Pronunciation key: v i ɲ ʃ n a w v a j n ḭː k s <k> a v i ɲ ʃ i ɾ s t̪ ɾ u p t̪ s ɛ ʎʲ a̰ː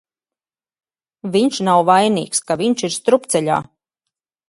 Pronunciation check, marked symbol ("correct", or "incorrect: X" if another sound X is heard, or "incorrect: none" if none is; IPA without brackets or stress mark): correct